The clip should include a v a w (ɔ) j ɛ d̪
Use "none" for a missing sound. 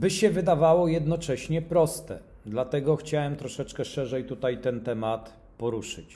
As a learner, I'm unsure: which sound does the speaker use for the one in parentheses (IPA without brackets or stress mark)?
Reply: ɔ